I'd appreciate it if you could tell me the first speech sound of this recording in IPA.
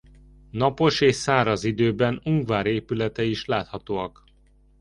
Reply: n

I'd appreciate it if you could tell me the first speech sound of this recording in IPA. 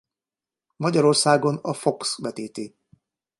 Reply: m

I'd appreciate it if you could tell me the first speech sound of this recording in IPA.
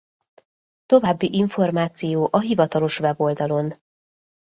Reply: t̪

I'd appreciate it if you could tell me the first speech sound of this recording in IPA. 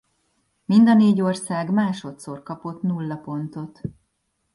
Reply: m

